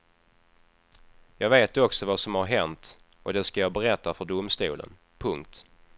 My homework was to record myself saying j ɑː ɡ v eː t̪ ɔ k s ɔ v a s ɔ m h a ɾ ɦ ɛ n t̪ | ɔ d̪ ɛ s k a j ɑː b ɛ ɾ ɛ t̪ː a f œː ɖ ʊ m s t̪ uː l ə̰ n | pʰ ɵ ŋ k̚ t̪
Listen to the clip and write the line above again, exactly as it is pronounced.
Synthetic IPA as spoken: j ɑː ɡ v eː t̪ ɔ k s ɔ v a s ɔ m h a ɾ ɦ ɛ n t̪ | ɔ d̪ ɛ s k a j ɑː b ɛ ɾ ɛ t̪ː a f œ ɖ ʊ m s t̪ uː l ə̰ n | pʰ ɵ ŋ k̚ t̪